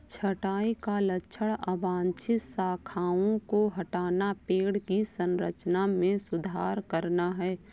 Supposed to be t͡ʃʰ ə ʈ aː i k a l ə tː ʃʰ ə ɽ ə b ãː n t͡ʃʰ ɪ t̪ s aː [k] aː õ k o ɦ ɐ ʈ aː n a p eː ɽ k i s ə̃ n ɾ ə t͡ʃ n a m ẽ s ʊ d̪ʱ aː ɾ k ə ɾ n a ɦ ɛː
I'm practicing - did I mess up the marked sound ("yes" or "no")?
yes